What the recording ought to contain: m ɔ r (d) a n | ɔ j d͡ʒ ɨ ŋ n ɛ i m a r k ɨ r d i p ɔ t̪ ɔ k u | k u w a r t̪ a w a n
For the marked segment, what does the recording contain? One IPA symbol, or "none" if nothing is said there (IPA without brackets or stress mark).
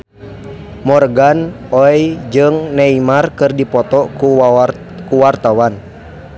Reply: ɡ